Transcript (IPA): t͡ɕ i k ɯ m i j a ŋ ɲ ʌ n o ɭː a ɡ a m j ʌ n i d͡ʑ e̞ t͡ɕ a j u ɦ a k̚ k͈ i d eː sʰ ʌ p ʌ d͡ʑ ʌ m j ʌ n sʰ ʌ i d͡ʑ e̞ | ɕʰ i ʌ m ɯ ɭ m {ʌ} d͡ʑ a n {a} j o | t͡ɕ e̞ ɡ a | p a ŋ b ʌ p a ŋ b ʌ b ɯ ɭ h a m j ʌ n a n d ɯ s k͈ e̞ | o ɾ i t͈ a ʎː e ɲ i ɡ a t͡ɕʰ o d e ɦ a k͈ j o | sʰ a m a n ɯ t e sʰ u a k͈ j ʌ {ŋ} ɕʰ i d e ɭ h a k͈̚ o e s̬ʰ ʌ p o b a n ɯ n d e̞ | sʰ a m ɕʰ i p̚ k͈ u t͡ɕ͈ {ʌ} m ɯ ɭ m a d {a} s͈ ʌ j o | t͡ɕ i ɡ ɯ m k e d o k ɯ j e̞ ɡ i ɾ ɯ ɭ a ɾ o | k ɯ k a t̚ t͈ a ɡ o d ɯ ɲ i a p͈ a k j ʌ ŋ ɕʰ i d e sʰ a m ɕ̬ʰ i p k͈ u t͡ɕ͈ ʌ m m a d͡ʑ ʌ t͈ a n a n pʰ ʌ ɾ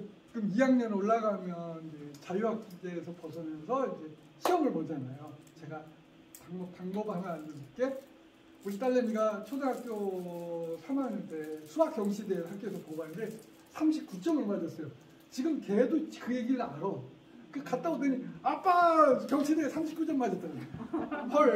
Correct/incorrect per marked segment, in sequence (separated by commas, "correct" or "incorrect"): correct, correct, correct, correct, incorrect